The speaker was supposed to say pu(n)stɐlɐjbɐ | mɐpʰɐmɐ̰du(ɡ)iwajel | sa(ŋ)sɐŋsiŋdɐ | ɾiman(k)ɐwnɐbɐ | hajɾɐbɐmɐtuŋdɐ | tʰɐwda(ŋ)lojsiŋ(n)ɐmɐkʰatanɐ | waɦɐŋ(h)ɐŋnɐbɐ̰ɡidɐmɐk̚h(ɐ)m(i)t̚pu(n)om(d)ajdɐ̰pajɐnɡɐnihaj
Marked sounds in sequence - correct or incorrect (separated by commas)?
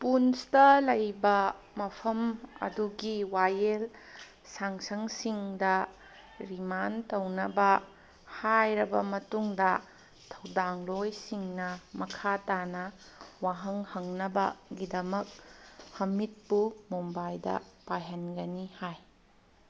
correct, correct, correct, incorrect, correct, correct, correct, correct, correct, incorrect, incorrect